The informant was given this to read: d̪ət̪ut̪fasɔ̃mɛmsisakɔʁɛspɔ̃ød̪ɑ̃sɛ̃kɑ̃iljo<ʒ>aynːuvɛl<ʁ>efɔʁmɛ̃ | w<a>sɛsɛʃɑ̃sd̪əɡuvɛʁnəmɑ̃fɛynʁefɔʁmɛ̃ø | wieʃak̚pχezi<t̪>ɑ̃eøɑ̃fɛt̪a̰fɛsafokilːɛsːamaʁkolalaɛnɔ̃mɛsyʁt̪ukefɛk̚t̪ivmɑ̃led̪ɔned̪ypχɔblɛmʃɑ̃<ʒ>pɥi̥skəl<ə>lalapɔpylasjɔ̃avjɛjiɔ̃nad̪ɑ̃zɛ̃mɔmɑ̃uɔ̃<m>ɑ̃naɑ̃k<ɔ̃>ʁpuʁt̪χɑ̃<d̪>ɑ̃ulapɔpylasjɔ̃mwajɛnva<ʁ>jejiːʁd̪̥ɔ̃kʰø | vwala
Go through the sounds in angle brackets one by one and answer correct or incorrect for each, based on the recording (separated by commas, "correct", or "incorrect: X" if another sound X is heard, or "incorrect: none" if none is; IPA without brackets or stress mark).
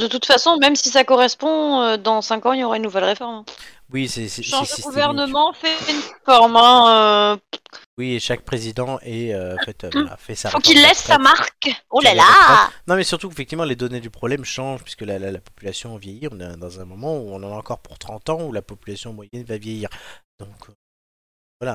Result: incorrect: ʁ, correct, incorrect: i, incorrect: d̪, correct, incorrect: a, incorrect: n, incorrect: ɔ, incorrect: t̪, incorrect: v